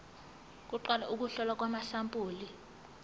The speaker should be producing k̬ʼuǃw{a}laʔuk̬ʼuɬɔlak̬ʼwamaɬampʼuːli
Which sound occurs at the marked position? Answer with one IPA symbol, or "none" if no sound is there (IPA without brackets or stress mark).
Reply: a